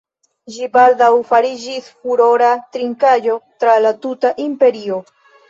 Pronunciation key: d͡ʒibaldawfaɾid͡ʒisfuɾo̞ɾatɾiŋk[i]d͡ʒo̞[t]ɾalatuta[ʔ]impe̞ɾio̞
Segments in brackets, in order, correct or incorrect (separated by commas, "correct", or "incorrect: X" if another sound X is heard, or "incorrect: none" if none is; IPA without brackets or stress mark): incorrect: a, correct, correct